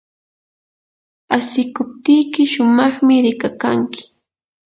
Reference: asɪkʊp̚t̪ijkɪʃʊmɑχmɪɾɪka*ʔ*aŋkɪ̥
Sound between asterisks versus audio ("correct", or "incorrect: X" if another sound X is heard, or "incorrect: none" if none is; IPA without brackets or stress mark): incorrect: k